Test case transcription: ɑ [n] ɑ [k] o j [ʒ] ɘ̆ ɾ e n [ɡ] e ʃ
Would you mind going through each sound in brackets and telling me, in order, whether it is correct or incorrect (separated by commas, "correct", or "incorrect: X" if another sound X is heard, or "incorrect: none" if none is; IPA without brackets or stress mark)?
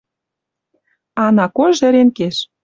correct, correct, correct, incorrect: k